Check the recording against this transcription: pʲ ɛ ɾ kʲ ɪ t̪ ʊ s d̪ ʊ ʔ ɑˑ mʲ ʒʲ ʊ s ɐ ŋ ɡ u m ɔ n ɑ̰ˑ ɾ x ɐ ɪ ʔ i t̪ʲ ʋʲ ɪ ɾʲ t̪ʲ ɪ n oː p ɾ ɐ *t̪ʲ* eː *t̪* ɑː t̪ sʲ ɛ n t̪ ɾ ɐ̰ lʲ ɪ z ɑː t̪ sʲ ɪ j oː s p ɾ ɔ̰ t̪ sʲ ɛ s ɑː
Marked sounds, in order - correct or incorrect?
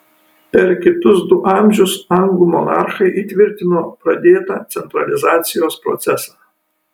incorrect: d̪ʲ, correct

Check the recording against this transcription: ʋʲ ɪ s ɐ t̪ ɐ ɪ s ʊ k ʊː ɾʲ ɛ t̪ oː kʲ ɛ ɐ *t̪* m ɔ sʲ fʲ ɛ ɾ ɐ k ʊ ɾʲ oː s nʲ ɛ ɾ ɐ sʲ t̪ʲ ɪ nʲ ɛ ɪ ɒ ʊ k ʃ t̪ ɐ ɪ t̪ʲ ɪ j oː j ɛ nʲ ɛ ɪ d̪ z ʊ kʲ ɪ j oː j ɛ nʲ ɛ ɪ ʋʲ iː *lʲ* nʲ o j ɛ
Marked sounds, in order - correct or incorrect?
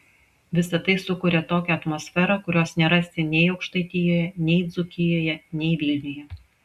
correct, correct

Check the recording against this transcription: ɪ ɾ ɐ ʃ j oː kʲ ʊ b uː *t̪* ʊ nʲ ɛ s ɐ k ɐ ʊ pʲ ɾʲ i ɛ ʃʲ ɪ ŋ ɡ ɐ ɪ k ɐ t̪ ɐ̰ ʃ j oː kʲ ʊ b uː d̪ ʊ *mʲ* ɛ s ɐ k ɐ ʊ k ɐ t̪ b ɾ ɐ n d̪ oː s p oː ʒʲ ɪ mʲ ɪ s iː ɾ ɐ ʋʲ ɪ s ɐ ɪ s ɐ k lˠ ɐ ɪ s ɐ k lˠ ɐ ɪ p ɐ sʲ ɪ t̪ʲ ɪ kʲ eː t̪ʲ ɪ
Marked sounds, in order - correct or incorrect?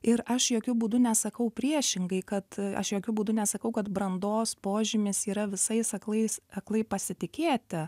incorrect: d̪, incorrect: nʲ

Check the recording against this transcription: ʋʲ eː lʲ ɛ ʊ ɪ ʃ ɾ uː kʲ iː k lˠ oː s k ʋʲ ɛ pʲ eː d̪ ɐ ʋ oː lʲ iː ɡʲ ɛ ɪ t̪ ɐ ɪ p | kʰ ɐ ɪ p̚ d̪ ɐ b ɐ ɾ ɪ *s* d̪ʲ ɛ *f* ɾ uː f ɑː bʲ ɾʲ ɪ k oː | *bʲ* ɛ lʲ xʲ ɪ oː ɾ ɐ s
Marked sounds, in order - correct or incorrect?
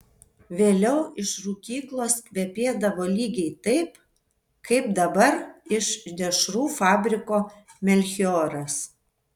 incorrect: ʃ, incorrect: ʃ, incorrect: mʲ

